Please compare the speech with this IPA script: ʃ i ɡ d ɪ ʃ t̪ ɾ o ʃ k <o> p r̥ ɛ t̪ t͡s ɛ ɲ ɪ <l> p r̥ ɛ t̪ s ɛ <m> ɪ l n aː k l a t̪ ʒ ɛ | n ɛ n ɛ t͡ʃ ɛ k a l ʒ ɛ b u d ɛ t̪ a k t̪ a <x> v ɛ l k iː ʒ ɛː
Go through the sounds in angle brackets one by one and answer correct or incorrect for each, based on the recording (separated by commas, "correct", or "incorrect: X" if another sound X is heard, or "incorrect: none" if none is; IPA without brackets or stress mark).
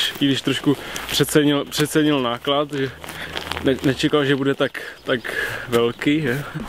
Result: incorrect: u, correct, incorrect: ɲ, incorrect: k